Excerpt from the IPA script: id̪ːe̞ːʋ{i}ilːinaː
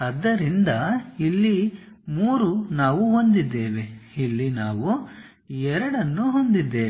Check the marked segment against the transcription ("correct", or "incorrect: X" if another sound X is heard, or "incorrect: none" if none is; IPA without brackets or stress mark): incorrect: e